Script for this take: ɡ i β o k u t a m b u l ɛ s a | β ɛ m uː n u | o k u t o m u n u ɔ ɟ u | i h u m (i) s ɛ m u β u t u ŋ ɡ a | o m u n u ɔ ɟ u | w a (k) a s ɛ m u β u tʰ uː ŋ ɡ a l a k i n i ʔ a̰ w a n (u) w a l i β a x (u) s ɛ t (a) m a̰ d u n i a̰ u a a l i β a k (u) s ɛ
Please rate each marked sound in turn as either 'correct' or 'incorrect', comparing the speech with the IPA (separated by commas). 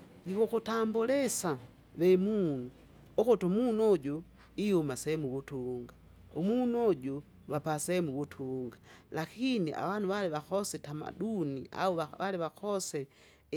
incorrect, incorrect, correct, incorrect, correct, incorrect